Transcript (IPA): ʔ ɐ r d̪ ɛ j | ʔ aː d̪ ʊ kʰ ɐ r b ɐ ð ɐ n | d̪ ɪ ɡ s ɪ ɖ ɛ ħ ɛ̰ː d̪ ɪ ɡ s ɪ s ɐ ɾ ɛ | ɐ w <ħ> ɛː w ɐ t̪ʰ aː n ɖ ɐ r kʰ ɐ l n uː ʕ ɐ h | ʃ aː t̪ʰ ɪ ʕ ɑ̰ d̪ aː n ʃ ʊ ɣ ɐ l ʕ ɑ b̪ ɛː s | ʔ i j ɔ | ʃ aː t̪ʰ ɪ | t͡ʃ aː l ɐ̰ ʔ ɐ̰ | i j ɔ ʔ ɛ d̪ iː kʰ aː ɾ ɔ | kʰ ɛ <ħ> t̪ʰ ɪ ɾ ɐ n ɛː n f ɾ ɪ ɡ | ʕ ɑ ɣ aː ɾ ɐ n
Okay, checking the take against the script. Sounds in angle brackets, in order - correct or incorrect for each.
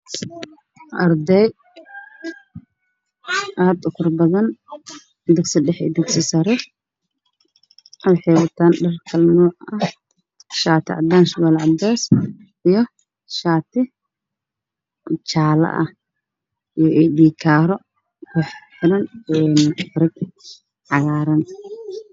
correct, correct

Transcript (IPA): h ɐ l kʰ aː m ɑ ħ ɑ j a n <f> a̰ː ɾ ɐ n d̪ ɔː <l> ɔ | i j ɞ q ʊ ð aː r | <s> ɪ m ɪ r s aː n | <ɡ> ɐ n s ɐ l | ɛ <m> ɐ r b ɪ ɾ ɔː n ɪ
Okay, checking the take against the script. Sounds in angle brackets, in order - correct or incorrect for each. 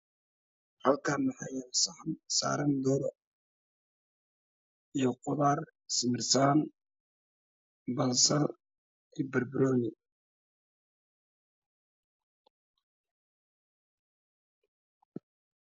incorrect: s, incorrect: ɾ, correct, incorrect: b, incorrect: b

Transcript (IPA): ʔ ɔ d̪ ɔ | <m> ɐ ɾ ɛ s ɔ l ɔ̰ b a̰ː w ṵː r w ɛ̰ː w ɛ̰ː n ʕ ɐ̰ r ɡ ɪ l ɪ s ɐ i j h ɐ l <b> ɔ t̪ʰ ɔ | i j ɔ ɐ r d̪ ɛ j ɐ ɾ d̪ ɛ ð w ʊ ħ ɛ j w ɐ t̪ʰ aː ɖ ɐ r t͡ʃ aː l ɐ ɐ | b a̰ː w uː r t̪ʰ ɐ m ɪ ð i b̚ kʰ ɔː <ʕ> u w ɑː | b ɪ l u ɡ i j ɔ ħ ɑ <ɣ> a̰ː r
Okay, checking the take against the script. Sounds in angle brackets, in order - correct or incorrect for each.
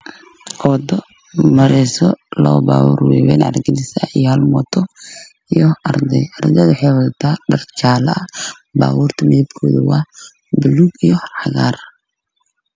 correct, incorrect: m, incorrect: ð, correct

